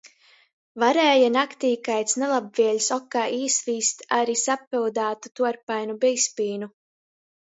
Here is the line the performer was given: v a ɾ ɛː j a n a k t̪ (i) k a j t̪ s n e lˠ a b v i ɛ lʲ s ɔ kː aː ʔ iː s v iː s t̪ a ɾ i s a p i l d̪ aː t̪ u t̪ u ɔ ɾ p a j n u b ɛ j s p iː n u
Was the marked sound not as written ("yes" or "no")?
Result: yes